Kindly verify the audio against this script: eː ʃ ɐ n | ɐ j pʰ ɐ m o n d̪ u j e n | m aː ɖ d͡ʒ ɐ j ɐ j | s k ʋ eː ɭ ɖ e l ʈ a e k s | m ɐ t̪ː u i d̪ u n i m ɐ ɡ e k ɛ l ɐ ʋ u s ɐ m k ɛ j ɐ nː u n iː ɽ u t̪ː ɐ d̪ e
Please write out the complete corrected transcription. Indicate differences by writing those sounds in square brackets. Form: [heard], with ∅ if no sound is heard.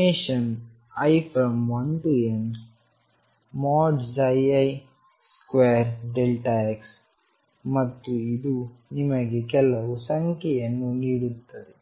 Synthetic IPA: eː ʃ ɐ n | ɐ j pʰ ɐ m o n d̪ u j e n | m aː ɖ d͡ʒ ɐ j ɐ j | s k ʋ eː [ɾ] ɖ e l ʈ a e k s | m ɐ t̪ː u i d̪ u n i m ɐ ɡ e k ɛ l ɐ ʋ u s ɐ [ŋ] k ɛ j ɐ nː u n iː ɽ u t̪ː ɐ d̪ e